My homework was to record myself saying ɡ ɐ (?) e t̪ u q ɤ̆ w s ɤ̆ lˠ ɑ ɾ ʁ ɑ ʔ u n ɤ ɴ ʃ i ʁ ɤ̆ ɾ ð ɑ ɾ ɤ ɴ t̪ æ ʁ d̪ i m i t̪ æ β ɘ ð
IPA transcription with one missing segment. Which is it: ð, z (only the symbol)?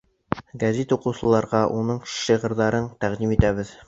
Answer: z